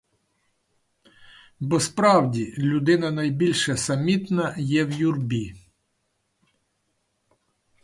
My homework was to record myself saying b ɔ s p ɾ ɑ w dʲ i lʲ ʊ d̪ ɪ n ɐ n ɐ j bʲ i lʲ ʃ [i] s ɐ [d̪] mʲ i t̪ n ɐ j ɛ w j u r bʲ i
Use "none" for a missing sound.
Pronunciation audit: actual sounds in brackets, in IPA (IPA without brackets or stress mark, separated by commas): ɛ, none